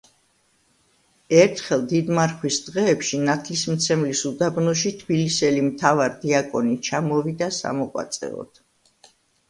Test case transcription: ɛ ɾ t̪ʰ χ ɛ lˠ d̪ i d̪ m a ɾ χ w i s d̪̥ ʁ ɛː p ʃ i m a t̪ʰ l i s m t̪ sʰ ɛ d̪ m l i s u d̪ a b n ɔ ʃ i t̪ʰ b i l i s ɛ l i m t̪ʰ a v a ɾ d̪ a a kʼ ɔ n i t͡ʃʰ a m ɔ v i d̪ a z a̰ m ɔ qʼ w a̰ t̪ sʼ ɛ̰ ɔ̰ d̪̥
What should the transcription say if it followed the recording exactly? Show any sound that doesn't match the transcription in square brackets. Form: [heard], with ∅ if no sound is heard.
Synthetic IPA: ɛ ɾ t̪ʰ χ ɛ lˠ d̪ i d̪ m a ɾ χ w i s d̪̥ ʁ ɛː p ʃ i [n] a t̪ʰ l i s m t̪ sʰ ɛ [∅] m l i s u d̪ a b n ɔ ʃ i t̪ʰ b i l i s ɛ l i m t̪ʰ a v a ɾ d̪ [i] a kʼ ɔ n i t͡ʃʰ a m ɔ v i d̪ a [s] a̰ m ɔ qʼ w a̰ t̪ sʼ ɛ̰ ɔ̰ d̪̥